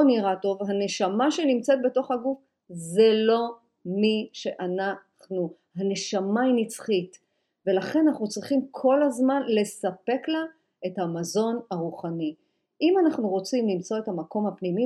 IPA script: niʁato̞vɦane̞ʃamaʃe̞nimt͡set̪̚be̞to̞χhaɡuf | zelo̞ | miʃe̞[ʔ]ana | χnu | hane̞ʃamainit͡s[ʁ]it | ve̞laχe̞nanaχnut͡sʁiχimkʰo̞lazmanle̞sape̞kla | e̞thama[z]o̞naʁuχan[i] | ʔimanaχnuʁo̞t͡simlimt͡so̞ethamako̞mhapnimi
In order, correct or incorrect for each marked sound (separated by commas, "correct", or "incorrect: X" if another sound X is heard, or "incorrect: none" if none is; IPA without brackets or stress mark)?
correct, incorrect: χ, correct, correct